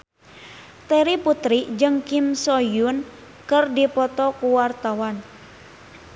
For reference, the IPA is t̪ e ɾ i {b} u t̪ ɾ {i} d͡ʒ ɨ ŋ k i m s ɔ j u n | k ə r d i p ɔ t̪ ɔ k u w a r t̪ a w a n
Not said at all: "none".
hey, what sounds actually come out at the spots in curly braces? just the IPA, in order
p, i

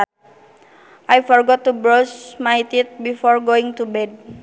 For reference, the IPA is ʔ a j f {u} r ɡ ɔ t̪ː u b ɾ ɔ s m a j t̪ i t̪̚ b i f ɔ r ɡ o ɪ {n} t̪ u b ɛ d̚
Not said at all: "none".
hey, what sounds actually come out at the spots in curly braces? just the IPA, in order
ɔ, ŋ

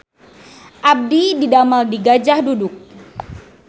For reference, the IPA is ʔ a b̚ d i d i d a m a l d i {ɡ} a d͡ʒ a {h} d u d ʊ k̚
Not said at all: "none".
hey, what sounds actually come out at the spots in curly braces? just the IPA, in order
ɡ, h

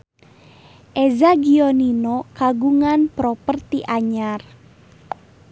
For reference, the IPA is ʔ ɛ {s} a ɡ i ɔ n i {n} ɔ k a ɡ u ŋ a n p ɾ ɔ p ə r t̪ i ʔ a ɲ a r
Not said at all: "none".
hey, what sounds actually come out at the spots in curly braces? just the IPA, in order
z, n

